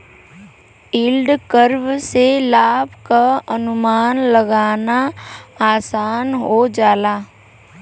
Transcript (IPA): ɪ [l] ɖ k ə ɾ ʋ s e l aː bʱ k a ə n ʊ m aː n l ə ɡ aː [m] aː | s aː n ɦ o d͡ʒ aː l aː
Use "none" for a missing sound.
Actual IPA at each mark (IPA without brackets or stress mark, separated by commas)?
l, n